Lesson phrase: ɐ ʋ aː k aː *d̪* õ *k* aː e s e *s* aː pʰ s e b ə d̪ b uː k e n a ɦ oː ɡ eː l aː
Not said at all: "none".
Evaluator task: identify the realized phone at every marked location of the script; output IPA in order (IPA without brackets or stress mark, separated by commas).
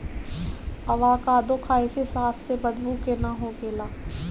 d̪, kʰ, s